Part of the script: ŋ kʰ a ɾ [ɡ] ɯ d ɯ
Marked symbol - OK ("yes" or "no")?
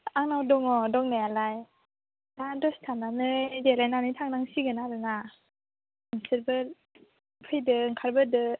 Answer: no